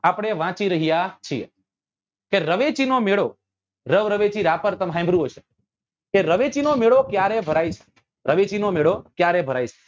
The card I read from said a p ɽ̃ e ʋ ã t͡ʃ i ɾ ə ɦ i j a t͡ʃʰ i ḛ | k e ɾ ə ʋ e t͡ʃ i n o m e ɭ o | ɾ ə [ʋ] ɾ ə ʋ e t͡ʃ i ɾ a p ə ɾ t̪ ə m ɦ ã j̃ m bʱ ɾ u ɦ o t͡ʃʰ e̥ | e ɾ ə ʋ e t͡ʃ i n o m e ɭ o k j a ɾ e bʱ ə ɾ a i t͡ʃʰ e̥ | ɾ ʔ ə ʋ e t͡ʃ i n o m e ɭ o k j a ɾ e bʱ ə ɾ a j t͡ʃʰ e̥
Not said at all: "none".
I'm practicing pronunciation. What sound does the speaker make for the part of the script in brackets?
ʋ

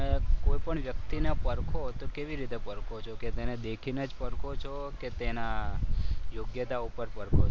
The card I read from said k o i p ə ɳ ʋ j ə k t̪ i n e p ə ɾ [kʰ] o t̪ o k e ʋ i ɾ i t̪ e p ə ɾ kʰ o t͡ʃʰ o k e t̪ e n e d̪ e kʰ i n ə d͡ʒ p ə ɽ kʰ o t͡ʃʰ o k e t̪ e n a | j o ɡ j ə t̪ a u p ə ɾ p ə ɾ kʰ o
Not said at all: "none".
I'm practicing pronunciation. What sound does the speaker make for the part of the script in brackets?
kʰ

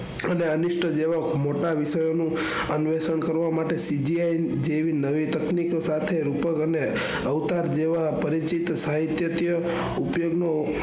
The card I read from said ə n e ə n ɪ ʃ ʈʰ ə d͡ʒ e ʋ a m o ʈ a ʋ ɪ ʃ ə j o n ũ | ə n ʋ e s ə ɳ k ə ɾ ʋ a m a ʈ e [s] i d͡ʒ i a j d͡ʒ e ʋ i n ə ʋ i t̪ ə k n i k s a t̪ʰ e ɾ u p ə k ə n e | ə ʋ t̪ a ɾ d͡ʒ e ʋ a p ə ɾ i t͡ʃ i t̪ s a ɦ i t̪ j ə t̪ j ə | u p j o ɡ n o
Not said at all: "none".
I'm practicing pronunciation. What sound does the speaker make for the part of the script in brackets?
s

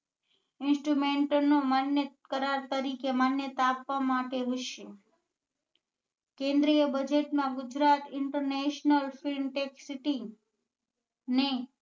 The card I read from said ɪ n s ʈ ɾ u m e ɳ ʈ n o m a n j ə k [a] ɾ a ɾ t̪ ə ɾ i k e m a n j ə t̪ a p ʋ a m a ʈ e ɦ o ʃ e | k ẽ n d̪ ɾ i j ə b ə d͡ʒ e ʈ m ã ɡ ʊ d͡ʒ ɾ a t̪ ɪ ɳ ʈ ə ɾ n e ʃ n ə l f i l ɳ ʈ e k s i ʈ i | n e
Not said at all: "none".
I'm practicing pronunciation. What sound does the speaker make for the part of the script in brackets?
ə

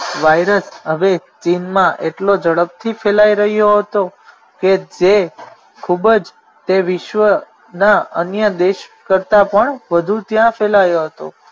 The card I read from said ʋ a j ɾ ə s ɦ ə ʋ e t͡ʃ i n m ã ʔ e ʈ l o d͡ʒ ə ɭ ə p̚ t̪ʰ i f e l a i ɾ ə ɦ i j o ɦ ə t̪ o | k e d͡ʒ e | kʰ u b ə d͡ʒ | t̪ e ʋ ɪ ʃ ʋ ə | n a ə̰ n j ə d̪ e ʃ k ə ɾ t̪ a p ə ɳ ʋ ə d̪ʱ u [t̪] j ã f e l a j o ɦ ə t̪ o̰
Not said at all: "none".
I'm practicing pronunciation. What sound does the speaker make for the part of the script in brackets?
t̪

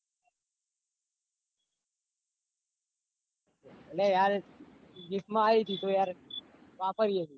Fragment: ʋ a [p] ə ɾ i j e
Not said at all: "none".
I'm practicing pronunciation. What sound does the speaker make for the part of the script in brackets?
p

